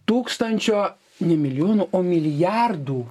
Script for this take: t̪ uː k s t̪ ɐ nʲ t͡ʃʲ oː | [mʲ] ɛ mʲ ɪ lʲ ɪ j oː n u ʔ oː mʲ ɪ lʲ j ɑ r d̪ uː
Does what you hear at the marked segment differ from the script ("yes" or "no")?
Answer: yes